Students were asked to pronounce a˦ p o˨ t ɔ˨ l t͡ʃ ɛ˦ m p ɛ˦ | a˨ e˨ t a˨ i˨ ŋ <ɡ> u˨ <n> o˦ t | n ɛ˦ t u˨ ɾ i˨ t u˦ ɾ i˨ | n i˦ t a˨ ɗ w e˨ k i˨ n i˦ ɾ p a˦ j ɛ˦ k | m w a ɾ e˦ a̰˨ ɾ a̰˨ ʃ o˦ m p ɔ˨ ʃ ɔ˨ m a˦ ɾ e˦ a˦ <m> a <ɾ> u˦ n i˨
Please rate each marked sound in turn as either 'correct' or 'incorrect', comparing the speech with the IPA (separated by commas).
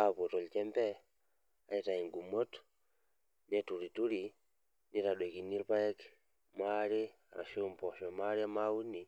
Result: correct, incorrect, correct, incorrect